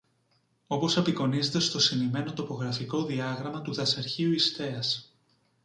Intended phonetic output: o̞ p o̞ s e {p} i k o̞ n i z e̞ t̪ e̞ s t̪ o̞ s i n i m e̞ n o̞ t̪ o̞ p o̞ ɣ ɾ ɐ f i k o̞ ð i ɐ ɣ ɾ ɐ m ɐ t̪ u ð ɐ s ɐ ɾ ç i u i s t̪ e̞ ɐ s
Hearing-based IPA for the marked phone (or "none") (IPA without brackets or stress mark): p